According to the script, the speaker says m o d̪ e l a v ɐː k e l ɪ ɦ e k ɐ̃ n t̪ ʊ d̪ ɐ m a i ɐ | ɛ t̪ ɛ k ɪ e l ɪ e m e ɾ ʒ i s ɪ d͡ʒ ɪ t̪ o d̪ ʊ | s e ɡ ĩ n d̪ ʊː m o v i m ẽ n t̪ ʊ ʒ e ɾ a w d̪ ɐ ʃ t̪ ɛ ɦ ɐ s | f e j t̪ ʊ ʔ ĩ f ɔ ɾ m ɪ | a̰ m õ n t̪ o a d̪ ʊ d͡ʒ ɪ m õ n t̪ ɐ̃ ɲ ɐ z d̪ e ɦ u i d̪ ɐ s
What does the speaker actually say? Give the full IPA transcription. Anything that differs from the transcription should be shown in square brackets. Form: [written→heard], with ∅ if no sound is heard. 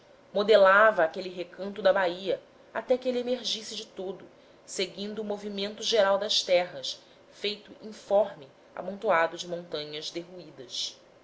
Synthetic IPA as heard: m o d̪ e l a v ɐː k e l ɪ ɦ e k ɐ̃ n t̪ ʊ d̪ ɐ [m→b] a i ɐ | [ɛ→a] t̪ ɛ k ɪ e l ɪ e m e ɾ ʒ i s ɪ d͡ʒ ɪ t̪ o d̪ ʊ | s e ɡ ĩ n d̪ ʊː m o v i m ẽ n t̪ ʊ ʒ e ɾ a w d̪ ɐ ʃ t̪ ɛ ɦ ɐ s | f e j t̪ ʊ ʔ ĩ f ɔ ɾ m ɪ | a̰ m õ n t̪ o a d̪ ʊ d͡ʒ ɪ m õ n t̪ ɐ̃ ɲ ɐ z d̪ e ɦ u i d̪ ɐ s

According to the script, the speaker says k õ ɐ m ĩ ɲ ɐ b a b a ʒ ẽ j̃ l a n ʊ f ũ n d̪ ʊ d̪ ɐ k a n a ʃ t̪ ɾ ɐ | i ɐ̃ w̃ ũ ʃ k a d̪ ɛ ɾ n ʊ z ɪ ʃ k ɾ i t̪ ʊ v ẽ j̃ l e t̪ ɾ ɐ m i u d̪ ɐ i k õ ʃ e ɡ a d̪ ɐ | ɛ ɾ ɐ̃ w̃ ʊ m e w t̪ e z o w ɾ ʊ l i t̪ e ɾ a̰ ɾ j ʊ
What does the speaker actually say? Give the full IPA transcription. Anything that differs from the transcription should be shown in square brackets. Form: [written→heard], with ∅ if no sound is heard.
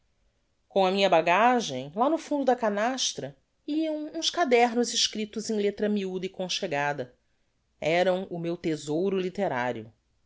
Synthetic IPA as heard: k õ ɐ m ĩ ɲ ɐ b a [b→ɡ] a ʒ ẽ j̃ l a n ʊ f ũ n d̪ ʊ d̪ ɐ k a n a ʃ t̪ ɾ ɐ | i ɐ̃ w̃ ũ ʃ k a d̪ ɛ ɾ n ʊ z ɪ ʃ k ɾ i t̪ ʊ [v→z] ẽ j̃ l e t̪ ɾ ɐ m i u d̪ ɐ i k õ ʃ e ɡ a d̪ ɐ | ɛ ɾ ɐ̃ w̃ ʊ m e w t̪ e z o w ɾ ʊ l i t̪ e ɾ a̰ ɾ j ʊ

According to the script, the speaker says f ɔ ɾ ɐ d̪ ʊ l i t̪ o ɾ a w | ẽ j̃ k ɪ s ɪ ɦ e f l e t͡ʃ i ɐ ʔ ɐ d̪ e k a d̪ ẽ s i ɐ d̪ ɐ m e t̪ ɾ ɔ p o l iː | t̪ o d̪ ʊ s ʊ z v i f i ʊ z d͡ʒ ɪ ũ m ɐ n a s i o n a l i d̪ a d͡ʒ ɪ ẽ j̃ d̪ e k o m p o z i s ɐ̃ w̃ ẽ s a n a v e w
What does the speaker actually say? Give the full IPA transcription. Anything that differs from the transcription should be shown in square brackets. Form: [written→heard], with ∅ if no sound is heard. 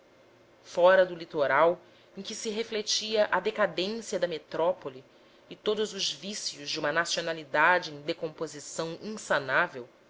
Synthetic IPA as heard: f ɔ ɾ ɐ d̪ ʊ l i t̪ o ɾ a w | ẽ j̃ k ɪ s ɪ ɦ e f l e t͡ʃ i ɐ ʔ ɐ d̪ e k a d̪ ẽ s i ɐ d̪ ɐ m e t̪ ɾ ɔ p o l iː | t̪ o d̪ ʊ [s→z] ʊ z v i [f→s] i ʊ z d͡ʒ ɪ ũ m ɐ n a s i o n a l i d̪ a d͡ʒ ɪ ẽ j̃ d̪ e k [o→õ] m p o z i s ɐ̃ w̃ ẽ s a n a v e w

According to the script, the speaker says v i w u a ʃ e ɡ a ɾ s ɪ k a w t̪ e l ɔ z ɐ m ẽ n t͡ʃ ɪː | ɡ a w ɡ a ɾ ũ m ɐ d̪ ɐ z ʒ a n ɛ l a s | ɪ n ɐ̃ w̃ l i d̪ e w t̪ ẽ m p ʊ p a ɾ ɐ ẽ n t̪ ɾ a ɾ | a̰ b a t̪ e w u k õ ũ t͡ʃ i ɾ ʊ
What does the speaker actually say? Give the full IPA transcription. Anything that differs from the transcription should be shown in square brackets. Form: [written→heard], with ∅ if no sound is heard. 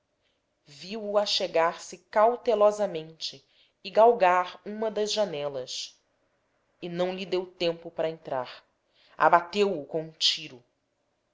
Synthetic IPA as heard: v i w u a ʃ e ɡ a ɾ s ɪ k a w t̪ e l ɔ z ɐ m ẽ n t͡ʃ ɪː | ɡ a w ɡ a ɾ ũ m ɐ d̪ ɐ z ʒ a n ɛ l [a→ɐ] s | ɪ n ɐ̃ w̃ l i d̪ e w t̪ ẽ m p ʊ p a ɾ ɐ ẽ n t̪ ɾ a ɾ | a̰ b a t̪ e w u k õ ũ t͡ʃ i ɾ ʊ

